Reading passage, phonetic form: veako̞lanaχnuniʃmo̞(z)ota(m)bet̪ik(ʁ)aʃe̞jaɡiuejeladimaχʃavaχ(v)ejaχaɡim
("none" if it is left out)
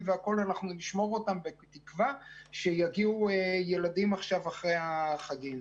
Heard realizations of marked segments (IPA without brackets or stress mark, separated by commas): ʁ, m, v, ʁ